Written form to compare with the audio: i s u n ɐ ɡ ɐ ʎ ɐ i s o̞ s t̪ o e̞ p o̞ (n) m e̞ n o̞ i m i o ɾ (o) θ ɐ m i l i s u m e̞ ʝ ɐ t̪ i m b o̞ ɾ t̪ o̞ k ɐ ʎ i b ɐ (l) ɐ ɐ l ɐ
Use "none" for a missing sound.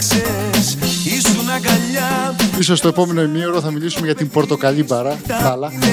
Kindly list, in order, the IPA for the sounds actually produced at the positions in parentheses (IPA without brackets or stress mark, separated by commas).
none, o, ɾ